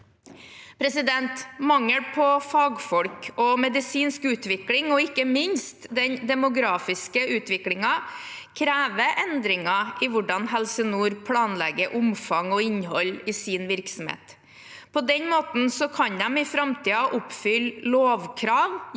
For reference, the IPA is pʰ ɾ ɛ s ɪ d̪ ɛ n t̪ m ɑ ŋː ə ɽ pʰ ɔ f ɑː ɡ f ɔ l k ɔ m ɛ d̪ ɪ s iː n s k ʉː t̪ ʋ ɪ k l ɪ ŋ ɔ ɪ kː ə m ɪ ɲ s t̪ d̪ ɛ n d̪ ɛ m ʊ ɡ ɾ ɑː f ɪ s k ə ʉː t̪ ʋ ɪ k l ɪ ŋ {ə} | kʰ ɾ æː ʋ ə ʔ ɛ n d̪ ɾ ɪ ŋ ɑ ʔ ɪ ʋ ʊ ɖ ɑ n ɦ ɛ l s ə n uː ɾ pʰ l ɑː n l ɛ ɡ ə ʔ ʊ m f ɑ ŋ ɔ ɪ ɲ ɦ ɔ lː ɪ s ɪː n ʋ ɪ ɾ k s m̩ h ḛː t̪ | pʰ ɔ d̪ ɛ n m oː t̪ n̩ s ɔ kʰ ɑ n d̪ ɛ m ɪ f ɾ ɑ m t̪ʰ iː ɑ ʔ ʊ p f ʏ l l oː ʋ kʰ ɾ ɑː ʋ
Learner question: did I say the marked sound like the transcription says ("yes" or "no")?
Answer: no